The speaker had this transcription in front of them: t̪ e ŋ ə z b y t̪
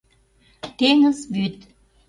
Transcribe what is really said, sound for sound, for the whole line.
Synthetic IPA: t̪ e ŋ ə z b y t̪